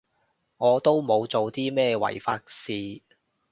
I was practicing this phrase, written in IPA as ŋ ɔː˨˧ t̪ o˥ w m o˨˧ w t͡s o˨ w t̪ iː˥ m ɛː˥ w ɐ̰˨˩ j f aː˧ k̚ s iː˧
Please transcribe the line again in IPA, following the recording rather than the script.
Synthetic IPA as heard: ŋ ɔː˨˧ t̪ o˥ w m o˨˧ w t͡s o˨ w t̪ iː˥ m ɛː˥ w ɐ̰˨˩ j f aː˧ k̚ s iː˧